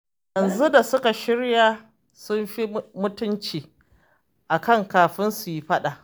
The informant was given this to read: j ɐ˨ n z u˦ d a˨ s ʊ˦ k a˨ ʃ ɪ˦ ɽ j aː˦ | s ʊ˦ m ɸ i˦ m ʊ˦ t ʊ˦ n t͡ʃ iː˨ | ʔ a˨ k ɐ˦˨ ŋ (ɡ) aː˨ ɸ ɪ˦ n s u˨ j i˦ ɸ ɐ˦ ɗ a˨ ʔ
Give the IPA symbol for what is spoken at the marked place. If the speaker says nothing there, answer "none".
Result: k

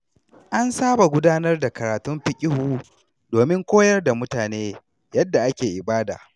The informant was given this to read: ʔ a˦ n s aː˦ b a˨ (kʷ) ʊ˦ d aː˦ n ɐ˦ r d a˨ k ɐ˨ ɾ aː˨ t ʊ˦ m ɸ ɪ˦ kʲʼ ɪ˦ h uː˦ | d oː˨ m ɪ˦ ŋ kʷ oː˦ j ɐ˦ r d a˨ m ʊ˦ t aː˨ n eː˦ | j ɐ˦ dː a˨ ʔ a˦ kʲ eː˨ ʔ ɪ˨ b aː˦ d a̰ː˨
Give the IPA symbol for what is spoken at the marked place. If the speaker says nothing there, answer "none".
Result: ɡʷ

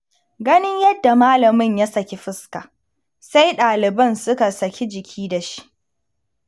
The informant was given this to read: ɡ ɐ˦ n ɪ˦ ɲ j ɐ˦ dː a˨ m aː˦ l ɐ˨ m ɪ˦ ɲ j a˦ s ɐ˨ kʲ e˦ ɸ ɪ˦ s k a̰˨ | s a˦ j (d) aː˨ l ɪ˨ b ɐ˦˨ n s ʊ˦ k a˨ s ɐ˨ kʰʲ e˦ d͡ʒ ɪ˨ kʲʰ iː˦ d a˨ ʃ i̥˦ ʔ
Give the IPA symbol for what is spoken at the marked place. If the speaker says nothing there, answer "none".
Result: ɗ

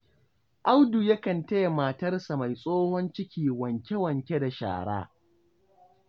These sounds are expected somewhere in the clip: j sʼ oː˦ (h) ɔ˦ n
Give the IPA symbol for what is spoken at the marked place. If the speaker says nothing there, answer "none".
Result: h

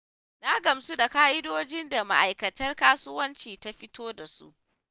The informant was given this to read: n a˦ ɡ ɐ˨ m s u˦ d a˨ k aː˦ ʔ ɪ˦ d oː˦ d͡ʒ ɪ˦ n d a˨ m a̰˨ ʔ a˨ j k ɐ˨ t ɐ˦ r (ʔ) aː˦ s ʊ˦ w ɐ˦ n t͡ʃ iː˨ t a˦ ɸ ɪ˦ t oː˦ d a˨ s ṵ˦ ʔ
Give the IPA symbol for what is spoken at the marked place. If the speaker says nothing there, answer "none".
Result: k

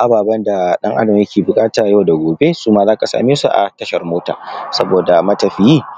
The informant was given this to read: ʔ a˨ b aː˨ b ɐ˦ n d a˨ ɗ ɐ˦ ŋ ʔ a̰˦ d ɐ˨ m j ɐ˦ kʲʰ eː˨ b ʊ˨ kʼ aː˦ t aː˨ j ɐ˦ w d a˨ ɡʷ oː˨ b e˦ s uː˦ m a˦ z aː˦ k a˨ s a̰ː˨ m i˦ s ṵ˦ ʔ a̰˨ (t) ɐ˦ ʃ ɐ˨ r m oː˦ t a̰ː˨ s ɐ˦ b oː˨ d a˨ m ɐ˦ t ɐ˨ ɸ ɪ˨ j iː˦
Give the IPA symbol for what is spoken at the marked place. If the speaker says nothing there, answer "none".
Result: t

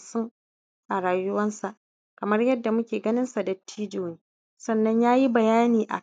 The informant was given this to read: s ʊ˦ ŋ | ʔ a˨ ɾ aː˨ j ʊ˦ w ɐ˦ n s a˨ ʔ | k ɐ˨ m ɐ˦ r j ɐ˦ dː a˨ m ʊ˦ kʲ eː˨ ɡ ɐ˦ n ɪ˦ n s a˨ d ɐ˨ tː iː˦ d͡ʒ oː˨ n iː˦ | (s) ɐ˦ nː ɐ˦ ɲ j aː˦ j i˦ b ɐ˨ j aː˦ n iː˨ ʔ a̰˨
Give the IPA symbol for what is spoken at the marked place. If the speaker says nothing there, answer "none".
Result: s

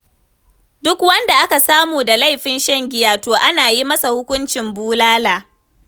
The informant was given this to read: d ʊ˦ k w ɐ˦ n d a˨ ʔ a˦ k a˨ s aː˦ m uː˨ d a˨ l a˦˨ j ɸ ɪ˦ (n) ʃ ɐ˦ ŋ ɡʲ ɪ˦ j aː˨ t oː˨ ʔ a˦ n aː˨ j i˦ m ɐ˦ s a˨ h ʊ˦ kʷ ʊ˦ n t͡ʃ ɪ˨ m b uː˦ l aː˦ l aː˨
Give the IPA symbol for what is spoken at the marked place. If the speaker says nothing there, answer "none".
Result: n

